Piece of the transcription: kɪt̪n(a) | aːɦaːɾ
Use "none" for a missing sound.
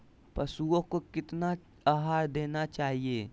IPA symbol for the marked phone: a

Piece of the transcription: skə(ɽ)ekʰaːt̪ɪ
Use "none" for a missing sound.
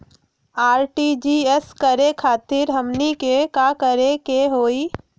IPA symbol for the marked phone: ɾ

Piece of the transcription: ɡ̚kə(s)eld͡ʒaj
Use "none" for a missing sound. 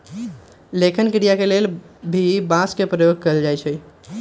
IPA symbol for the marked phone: none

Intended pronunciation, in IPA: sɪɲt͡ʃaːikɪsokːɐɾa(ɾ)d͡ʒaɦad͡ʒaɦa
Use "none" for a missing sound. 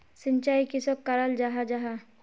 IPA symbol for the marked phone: l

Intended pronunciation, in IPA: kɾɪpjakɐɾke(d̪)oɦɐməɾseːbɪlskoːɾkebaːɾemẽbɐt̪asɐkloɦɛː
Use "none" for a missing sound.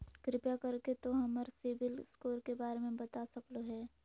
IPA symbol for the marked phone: t̪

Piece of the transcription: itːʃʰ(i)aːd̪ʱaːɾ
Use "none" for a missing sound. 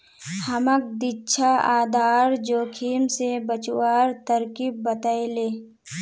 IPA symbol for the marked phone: a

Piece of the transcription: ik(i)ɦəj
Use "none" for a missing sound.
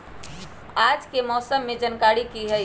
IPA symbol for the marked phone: i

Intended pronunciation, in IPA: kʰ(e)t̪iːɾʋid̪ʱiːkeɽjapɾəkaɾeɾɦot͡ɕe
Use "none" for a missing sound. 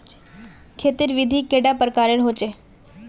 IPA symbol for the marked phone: e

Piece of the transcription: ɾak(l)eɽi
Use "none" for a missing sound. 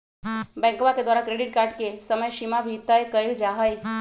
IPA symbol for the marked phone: ɾ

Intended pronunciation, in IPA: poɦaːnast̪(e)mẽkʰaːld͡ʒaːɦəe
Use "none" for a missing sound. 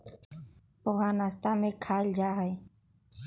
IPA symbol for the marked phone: a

